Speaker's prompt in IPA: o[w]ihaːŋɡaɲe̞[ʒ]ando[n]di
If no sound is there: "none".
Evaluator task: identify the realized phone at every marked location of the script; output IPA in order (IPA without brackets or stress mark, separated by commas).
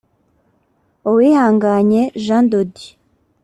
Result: w, ʒ, none